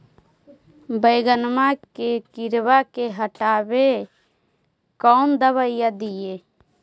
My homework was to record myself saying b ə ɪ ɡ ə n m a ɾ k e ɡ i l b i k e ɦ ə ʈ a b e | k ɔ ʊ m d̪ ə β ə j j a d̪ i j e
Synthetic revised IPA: b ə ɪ ɡ ə n m a k e k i ɾ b a k e ɦ ə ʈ a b e | k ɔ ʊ n d̪ ə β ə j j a d̪ i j e